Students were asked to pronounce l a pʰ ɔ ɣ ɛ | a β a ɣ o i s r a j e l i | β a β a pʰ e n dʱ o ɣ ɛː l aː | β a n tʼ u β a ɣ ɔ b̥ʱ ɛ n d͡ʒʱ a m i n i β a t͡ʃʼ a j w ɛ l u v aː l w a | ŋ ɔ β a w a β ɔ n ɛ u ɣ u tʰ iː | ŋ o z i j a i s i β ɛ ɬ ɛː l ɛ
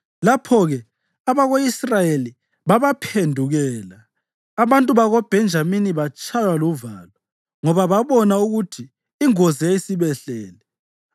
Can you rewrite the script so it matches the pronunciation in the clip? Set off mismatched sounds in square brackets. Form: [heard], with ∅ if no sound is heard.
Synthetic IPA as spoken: l a pʰ ɔ ɣ ɛ | a β a ɣ o i s r a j e l i | β a β a pʰ e n dʱ [u] ɣ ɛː l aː | β a n tʼ u β a ɣ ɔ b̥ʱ ɛ n d͡ʒʱ a m i n i β a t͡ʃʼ a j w [a] l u v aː l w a | ŋ ɔ β a [β] a β ɔ n [a] u ɣ u tʰ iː | ŋ o z i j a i s i β ɛ ɬ ɛː l ɛ

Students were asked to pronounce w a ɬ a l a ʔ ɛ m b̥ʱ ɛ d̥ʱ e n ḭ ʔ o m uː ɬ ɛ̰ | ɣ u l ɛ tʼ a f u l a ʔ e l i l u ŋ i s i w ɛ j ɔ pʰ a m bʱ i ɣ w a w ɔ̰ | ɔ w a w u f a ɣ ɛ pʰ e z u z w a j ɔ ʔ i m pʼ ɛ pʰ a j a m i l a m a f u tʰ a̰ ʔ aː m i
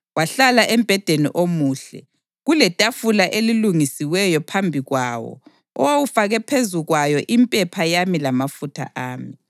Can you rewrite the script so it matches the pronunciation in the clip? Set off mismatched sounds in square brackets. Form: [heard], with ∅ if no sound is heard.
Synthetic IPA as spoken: w a ɬ a l a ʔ ɛ m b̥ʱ ɛ d̥ʱ e n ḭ ʔ o m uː ɬ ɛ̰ | ɣ u l ɛ tʼ a f u l a ʔ e l i l u ŋ i s i w ɛ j ɔ pʰ a m bʱ i ɣ w a w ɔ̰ | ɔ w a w u f a ɣ ɛ pʰ e z u [ɣ] w a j ɔ ʔ i m pʼ ɛ pʰ a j a m i l a m a f u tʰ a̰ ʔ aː m i

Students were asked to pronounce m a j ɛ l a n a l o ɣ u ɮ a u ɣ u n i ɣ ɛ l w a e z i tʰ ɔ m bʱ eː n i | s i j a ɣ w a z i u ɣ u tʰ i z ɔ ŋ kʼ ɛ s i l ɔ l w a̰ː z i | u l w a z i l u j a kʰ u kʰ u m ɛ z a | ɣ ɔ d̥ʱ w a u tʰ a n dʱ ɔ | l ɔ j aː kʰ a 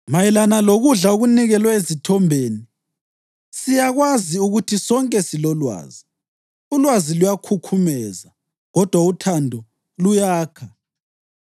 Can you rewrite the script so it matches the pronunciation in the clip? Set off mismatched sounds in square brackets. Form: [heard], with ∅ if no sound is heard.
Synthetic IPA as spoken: m a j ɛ l a n a l o ɣ u ɮ a u ɣ u n i ɣ ɛ l w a e z i tʰ ɔ m bʱ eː n i | s i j a ɣ w a z i u ɣ u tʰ i [s] ɔ ŋ kʼ ɛ s i l ɔ l w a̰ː z i | u l w a z i l u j a kʰ u kʰ u m ɛ z a | ɣ ɔ d̥ʱ w a u tʰ a n dʱ ɔ | l [u] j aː kʰ a

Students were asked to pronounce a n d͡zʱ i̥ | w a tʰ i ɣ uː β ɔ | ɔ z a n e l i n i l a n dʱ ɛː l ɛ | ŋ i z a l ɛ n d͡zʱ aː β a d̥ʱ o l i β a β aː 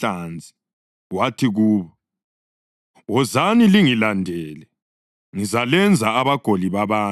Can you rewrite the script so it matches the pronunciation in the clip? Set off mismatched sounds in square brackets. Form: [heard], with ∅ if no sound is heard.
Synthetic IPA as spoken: a n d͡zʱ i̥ | w a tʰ i ɣ uː β ɔ | ɔ z a n [i] l i [ŋ] i l a n dʱ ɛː l ɛ | ŋ i z a l ɛ n d͡zʱ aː β a [ɡ̥ʱ] o l i β a β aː

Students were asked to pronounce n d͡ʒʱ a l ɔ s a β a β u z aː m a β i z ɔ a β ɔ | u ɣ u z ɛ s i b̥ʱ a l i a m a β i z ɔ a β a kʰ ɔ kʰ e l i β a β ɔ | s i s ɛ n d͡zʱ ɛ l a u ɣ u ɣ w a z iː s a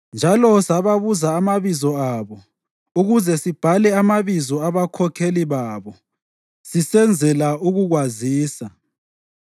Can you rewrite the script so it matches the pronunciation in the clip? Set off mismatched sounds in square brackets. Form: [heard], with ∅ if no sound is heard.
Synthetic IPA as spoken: n d͡ʒʱ a l ɔ s a β a β u z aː m a β i z ɔ a β ɔ | u ɣ u z ɛ s i b̥ʱ a l [ɛ] a m a β i z ɔ a β a kʰ ɔ kʰ e l i β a β ɔ | s i s ɛ n d͡zʱ ɛ l a u ɣ u ɣ w a z iː s a

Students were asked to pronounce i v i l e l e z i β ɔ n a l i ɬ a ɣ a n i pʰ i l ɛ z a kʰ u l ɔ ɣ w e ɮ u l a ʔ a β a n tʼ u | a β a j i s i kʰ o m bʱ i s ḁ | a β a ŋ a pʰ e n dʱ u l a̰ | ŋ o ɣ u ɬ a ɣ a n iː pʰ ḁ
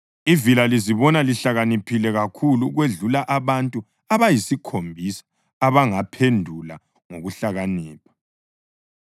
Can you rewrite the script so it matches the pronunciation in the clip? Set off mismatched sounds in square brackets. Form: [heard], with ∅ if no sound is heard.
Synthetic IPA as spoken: i v i l [a] l [i] z i β ɔ n a l i ɬ a ɣ a n i pʰ i l ɛ [ɣ] a kʰ u l [u] ɣ w e ɮ u l a ʔ a β a n tʼ u | a β a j i s i kʰ o m bʱ i s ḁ | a β a ŋ a pʰ e n dʱ u l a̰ | ŋ o ɣ u ɬ a ɣ a n iː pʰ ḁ

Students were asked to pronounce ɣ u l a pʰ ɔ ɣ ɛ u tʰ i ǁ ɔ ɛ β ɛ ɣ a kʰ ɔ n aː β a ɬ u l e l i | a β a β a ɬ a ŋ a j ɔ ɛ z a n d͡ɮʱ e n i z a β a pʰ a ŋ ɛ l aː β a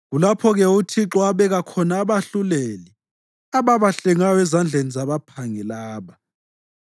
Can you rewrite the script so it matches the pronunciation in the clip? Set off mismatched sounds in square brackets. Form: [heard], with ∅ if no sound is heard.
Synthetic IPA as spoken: ɣ u l a pʰ ɔ ɣ ɛ u tʰ i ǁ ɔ [a] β ɛ ɣ a kʰ ɔ n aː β a ɬ u l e l i | a β a β a ɬ [ɛ] ŋ a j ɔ ɛ z a n d͡ɮʱ e n i z a β a pʰ a ŋ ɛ l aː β a

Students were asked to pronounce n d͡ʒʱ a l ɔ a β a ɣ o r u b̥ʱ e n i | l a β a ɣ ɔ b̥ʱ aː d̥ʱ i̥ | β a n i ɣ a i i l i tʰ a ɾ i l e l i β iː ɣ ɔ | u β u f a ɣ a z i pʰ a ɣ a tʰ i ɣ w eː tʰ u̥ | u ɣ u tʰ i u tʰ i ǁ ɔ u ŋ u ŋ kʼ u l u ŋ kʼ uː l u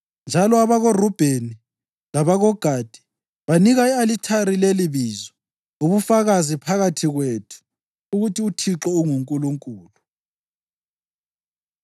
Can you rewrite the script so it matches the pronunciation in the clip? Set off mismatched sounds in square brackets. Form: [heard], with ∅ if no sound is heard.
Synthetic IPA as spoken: n d͡ʒʱ a l ɔ a β a ɣ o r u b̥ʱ e n i | l a β a ɣ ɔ [ɡ̥ʱ] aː d̥ʱ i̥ | β a n i ɣ a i [a] l i tʰ a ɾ i l e l i β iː [z] ɔ | u β u f a ɣ a z i pʰ a ɣ a tʰ i ɣ w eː tʰ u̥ | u ɣ u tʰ i u tʰ i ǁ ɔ u ŋ u ŋ kʼ u l u ŋ kʼ uː l u

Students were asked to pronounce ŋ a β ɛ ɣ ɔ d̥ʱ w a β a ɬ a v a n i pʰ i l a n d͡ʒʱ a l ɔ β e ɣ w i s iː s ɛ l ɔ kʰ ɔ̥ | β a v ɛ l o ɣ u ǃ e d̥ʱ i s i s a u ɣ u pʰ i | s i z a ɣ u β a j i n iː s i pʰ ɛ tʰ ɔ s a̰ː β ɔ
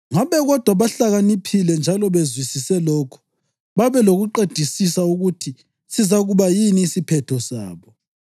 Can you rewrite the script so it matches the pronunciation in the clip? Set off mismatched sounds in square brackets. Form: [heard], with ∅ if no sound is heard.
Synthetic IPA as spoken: ŋ a β ɛ ɣ ɔ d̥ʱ w a β a ɬ a [ɣ] a n i pʰ i l [ɛ] n d͡ʒʱ a l ɔ β e [z] w i s [i] s ɛ l ɔ kʰ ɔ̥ | β a [β] ɛ l o ɣ u ǃ e d̥ʱ i s i s a u ɣ u [tʰ] i | s i z a ɣ u β a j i n iː s i pʰ ɛ tʰ ɔ s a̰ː β ɔ

